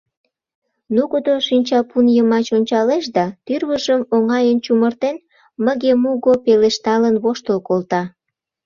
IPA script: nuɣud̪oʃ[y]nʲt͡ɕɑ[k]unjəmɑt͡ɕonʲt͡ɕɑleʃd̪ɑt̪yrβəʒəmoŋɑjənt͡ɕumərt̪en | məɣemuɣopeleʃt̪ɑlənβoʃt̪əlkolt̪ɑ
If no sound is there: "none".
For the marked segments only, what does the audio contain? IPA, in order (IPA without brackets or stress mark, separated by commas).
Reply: i, p